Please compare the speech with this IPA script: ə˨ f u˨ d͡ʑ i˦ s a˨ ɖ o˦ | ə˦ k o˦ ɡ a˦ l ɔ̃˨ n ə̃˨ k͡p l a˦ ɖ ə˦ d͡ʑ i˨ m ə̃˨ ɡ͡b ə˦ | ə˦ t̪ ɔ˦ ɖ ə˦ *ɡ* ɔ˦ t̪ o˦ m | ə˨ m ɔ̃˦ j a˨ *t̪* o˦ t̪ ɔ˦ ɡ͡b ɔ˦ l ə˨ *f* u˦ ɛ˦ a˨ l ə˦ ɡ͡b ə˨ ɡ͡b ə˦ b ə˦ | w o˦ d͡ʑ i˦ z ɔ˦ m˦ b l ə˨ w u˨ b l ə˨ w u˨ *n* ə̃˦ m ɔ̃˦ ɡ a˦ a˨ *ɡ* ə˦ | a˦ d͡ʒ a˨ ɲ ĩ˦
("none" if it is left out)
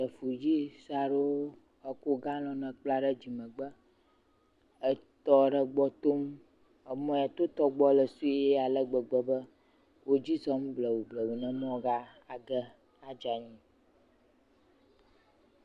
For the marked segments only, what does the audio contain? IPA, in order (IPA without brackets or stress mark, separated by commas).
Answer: ɡ͡b, t̪, s, n, ɡ